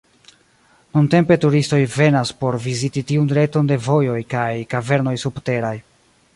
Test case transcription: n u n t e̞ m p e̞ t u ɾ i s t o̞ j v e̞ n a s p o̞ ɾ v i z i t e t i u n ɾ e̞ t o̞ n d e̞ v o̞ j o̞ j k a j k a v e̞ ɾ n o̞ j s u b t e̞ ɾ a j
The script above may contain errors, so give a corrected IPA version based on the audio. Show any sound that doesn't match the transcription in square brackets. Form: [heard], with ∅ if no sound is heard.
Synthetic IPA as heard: n u n t e̞ m p e̞ t u ɾ i s t o̞ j v e̞ n a s p o̞ ɾ v i z i t [i] t i u n ɾ e̞ t o̞ n d e̞ v o̞ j o̞ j k a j k a v e̞ ɾ n o̞ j s u b t e̞ ɾ a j

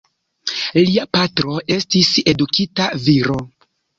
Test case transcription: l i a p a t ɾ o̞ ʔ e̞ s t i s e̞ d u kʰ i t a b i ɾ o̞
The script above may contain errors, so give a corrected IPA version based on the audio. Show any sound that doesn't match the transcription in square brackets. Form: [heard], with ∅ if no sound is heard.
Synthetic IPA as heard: l i a p a t ɾ o̞ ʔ e̞ s t i s e̞ d u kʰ i t a [v] i ɾ o̞

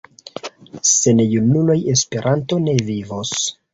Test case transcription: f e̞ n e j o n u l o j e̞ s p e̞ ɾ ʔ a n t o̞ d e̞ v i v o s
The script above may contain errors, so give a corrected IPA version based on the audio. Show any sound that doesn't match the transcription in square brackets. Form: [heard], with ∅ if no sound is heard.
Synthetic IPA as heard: [s] e̞ n e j [u] n u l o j e̞ s p e̞ ɾ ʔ a n t o̞ [n] e̞ v i v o s

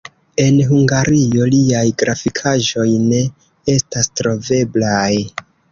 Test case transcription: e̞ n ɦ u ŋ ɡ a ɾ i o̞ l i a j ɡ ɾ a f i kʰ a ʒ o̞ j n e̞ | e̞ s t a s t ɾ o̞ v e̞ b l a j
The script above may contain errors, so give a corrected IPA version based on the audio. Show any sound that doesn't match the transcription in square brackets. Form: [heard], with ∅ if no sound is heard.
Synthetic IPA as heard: e̞ n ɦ u ŋ ɡ a ɾ i o̞ l i a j ɡ ɾ a f i kʰ a ʒ o̞ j n e̞ | e̞ s t a s t ɾ o̞ v e̞ b l a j

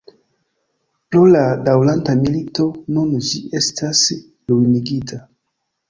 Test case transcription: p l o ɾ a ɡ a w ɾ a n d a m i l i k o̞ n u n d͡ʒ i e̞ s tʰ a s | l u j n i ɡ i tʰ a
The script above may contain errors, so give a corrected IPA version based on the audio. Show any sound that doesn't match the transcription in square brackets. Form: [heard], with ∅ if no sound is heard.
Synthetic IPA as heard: p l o [l] a [d] a w [l] a n [t] a m i l i [t] o̞ n u n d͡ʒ i e̞ s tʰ a s | l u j n i ɡ i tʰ a

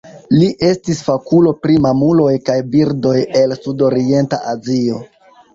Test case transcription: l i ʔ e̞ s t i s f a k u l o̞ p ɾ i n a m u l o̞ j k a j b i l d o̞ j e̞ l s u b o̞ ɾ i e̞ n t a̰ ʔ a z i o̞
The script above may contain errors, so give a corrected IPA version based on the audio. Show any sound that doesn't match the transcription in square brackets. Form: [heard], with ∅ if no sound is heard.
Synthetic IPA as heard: l i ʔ e̞ s t i s f a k u l o̞ p ɾ i [m] a m u l o̞ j k a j b i [ɾ] d o̞ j e̞ l s u [d] o̞ ɾ i e̞ n t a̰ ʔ a z i o̞

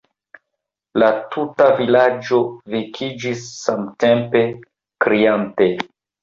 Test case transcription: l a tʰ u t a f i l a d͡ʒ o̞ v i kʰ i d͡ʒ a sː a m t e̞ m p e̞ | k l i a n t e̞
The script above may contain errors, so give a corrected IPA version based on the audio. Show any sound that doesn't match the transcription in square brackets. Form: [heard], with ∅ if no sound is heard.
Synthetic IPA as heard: l a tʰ u t a [v] i l a d͡ʒ o̞ v i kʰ i d͡ʒ [i] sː a m t e̞ m p e̞ | k [ɾ] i a n t e̞

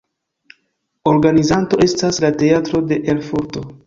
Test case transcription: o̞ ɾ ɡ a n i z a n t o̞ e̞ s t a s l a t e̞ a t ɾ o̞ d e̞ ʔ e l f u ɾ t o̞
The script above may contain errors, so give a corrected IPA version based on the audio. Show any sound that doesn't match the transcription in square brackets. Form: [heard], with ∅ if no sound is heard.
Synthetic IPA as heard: o̞ ɾ ɡ a n i z a n t o̞ e̞ s t a s l a t e̞ a t ɾ o̞ d e̞ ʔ e l f u ɾ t o̞

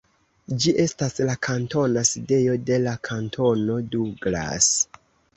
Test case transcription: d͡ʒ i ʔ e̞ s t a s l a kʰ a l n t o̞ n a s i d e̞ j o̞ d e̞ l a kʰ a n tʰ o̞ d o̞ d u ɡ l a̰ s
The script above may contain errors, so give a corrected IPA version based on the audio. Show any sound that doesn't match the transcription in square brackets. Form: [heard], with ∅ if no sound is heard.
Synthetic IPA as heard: d͡ʒ i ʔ e̞ s t a s l a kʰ a [∅] n t o̞ n a s i d e̞ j o̞ d e̞ l a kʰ a n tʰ o̞ [n] o̞ d u ɡ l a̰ s

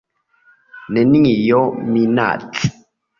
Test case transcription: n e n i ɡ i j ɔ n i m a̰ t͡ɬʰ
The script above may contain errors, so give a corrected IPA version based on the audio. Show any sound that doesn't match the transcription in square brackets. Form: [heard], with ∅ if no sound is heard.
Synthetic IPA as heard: n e n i [ŋ] i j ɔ [m] i [n] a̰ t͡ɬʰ

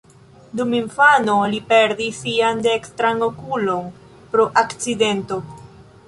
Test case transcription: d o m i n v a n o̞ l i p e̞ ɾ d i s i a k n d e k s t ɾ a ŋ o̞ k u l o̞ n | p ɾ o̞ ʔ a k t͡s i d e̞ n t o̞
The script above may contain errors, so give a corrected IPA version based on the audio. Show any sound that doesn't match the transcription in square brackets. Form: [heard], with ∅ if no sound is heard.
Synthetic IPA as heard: d [u] m i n [f] a n o̞ l i p e̞ ɾ d i s i a [∅] n d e k s t ɾ a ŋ o̞ k u l o̞ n | p ɾ o̞ ʔ a k t͡s i d e̞ n t o̞

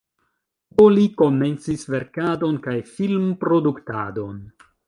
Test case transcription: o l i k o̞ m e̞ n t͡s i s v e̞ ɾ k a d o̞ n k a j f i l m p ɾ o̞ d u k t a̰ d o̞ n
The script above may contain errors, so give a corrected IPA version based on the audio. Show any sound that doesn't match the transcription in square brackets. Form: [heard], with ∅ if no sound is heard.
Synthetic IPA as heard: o l i k o̞ m e̞ n t͡s i s v e̞ ɾ k a d o̞ n k a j f i l m p ɾ o̞ d u k t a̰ d o̞ n

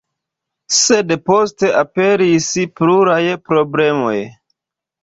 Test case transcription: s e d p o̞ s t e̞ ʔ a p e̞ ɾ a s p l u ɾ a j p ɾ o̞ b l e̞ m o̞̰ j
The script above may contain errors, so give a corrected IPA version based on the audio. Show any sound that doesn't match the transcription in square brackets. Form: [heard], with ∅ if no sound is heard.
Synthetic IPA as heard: s e d p o̞ s t e̞ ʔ a p e̞ ɾ [i] s p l u ɾ a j p ɾ o̞ b l e̞ m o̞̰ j

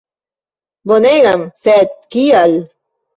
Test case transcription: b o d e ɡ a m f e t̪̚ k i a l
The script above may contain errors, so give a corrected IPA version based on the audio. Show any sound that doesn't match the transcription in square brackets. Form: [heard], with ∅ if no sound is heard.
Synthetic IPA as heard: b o [n] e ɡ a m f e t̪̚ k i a l

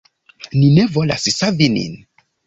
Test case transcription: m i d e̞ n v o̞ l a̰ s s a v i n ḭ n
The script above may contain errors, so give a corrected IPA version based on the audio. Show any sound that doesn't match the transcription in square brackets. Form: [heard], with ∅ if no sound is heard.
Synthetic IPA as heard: [n] i [n] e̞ [∅] v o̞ l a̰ s s a v i n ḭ n

